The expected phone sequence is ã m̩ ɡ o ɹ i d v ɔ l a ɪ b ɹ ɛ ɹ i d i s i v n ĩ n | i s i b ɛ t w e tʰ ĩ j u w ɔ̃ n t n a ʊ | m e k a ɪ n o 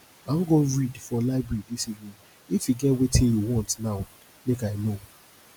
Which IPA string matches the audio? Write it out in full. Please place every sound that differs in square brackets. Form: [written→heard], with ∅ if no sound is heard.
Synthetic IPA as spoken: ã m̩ ɡ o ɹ i d [v→f] ɔ l a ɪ b ɹ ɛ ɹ i d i s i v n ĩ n | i [s→f] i [b→ɡ] ɛ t w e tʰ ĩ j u w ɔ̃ n t n a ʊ | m e k a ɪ n o